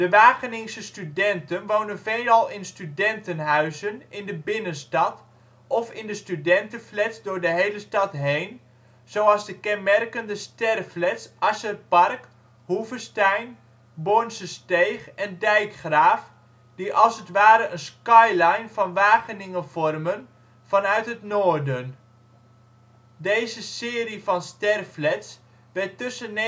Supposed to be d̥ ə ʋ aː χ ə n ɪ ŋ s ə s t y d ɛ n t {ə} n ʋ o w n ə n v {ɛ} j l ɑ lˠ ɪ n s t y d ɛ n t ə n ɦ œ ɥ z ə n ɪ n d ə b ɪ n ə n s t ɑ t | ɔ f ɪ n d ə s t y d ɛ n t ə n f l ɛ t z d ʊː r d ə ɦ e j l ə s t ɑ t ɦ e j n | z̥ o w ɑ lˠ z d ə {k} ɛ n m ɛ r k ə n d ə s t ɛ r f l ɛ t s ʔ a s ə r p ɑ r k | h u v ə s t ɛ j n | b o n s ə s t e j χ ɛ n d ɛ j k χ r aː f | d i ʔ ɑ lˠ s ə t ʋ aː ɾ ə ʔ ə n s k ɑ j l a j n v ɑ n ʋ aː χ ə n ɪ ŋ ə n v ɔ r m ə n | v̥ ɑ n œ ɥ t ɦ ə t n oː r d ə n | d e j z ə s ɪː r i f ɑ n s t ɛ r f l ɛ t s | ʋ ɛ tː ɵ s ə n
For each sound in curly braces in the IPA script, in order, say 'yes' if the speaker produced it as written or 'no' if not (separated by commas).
yes, no, yes